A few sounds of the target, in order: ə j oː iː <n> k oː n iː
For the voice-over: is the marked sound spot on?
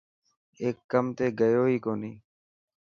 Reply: no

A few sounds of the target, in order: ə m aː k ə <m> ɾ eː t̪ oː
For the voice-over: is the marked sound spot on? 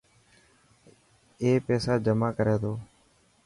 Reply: no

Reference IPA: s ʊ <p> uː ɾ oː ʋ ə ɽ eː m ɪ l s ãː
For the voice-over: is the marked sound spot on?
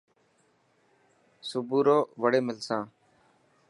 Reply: no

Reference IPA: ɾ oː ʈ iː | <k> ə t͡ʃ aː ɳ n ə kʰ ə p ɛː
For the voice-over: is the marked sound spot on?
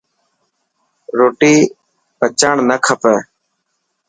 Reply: no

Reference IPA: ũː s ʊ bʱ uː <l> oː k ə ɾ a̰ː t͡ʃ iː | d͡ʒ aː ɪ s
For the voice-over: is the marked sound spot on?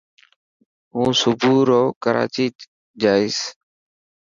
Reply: no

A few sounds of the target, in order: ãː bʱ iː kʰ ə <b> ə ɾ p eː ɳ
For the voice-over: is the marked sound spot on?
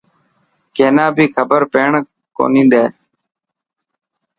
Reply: yes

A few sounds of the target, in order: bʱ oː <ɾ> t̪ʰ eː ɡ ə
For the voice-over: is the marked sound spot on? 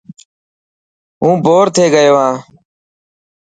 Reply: yes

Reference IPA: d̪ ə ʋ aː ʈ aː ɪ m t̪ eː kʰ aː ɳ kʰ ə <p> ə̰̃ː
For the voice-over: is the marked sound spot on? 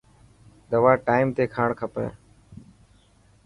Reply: yes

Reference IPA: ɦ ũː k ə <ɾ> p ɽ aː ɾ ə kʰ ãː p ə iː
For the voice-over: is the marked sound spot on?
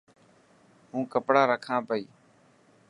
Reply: no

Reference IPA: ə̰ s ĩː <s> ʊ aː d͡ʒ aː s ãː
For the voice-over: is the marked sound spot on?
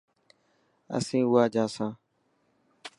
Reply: no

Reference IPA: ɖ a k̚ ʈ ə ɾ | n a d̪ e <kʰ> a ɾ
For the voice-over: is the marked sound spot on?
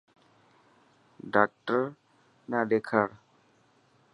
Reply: yes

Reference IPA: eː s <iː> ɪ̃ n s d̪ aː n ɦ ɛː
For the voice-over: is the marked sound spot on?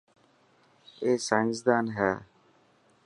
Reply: no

